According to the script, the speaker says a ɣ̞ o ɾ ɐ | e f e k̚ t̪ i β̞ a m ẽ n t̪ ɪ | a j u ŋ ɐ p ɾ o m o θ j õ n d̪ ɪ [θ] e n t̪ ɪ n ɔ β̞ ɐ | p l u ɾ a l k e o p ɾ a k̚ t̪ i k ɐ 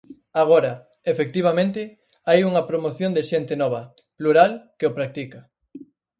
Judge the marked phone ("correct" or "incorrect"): incorrect